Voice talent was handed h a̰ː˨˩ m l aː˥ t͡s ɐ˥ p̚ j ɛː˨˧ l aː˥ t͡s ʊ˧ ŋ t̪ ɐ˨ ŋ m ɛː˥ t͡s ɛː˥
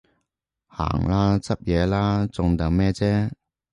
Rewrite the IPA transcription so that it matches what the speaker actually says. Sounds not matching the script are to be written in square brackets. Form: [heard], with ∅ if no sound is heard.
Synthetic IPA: h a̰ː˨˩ [ŋ] l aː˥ t͡s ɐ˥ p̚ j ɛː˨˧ l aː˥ t͡s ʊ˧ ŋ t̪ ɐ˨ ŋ m ɛː˥ t͡s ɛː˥